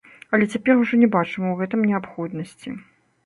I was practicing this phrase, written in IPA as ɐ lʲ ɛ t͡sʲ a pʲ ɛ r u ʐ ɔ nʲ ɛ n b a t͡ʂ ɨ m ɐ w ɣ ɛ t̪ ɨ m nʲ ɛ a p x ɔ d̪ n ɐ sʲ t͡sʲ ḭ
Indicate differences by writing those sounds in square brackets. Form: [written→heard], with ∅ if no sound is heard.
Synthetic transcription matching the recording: ɐ lʲ ɛ t͡sʲ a pʲ ɛ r u ʐ ɔ nʲ ɛ [n→∅] b a t͡ʂ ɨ m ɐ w ɣ ɛ t̪ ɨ m nʲ ɛ a p x ɔ d̪ n ɐ sʲ t͡sʲ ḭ